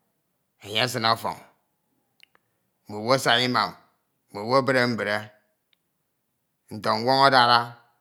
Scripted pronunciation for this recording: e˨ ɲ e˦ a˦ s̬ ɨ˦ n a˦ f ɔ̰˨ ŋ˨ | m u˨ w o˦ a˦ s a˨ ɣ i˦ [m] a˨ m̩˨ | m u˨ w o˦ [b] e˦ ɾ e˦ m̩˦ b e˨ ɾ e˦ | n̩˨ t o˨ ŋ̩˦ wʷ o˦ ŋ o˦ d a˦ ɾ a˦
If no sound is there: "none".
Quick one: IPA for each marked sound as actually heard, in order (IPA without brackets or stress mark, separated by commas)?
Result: m, b